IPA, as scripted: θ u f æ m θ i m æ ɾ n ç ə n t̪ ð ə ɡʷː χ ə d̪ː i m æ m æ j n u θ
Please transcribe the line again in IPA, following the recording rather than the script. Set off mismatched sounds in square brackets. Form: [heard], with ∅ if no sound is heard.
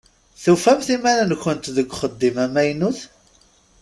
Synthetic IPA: θ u f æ m θ i m æ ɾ n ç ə n t̪ ð ə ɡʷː χ ə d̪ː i m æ m æ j n u θ

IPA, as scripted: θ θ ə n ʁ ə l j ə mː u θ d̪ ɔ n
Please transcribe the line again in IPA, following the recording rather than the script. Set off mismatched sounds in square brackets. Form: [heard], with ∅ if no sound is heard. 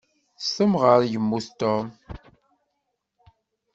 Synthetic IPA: [s] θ ə [m] ʁ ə [ɾ] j ə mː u θ [t̪] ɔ [m]

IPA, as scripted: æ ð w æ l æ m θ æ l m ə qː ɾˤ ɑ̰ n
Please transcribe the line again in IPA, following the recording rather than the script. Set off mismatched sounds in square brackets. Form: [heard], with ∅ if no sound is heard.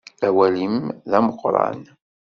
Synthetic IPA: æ [∅] w æ l [i] m [ð] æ [∅] m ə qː ɾˤ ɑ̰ n

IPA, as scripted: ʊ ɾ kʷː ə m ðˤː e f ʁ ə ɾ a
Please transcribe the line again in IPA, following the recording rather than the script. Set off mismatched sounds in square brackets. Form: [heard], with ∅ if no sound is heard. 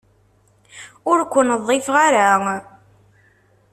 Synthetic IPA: ʊ ɾ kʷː ə [n] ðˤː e f ʁ [a] ɾ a

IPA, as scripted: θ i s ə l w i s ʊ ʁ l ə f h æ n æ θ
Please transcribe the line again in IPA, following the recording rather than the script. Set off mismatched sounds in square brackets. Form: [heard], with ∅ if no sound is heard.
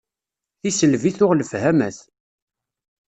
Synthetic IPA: θ i s ə l [v] i [θ] ʊ ʁ l ə f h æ [m] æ θ

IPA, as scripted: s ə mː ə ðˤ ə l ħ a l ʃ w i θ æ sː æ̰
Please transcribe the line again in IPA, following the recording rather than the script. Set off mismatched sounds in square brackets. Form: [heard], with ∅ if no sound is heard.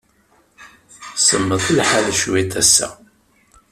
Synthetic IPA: s ə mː ə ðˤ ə l ħ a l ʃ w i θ æ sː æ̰

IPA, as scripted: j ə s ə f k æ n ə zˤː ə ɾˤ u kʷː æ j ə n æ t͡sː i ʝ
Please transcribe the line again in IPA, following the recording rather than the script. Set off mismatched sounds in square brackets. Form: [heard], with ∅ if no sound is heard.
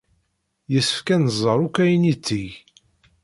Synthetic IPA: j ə s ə f k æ n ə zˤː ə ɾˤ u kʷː æ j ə n [i] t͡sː i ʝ

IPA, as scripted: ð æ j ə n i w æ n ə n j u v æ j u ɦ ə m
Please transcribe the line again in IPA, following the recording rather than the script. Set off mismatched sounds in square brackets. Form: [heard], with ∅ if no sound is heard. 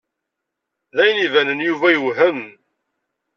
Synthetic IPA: ð æ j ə n i [v] æ n ə n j u v æ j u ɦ ə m

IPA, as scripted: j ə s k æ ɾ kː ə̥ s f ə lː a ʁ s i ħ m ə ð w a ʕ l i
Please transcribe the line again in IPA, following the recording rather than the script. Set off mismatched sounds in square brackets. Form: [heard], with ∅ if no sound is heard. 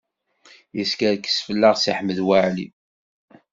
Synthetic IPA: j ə s k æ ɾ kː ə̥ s f ə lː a ʁ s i ħ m ə ð w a ʕ l i

